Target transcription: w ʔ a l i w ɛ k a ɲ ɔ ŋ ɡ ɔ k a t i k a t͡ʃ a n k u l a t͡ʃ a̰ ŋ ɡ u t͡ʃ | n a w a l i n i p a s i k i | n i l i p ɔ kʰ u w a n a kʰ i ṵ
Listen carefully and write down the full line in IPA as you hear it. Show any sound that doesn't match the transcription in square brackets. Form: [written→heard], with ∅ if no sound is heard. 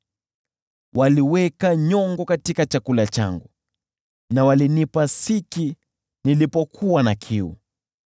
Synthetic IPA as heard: w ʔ a l i w ɛ k a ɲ ɔ ŋ ɡ ɔ k a t i k a t͡ʃ a [n→∅] k u l a t͡ʃ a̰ ŋ ɡ u [t͡ʃ→∅] | n a w a l i n i p a s i k i | n i l i p ɔ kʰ u w a n a kʰ i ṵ